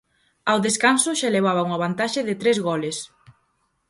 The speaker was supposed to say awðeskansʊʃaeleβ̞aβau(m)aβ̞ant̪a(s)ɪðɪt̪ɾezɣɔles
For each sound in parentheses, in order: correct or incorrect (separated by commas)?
incorrect, incorrect